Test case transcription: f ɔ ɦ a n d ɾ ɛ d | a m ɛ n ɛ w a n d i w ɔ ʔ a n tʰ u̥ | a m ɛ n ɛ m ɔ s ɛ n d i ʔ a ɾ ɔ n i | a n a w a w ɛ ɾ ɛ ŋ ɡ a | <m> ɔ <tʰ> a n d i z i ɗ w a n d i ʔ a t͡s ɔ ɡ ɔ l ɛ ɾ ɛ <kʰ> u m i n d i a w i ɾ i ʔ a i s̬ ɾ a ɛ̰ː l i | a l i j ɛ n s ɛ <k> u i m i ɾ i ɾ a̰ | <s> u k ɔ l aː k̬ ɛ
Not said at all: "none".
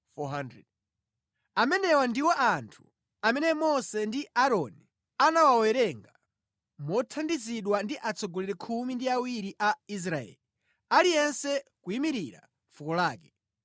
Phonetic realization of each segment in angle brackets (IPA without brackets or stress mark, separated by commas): m, tʰ, kʰ, k, f